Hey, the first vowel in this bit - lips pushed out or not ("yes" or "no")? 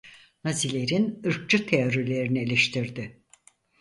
no